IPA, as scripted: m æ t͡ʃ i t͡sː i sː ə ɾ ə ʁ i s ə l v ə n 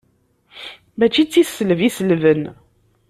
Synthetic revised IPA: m æ t͡ʃ i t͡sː i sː ə l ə v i s ə l v ə n